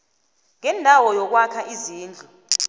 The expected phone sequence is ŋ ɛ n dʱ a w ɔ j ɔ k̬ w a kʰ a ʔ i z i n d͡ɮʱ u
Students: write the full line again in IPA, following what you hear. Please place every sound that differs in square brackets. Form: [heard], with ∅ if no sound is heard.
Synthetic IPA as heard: ŋ ɛ n dʱ a w ɔ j ɔ k̬ w a kʰ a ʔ i z [iː] n d͡ɮʱ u